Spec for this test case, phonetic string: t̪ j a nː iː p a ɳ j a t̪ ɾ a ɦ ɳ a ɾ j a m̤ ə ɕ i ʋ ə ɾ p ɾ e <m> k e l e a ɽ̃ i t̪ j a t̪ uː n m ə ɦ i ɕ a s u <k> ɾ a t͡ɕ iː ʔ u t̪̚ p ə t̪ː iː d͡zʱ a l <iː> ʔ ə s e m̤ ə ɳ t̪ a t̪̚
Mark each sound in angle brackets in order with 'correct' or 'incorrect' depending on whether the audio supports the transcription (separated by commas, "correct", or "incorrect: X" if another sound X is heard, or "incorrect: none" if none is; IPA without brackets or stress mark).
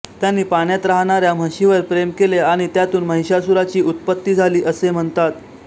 correct, incorrect: none, correct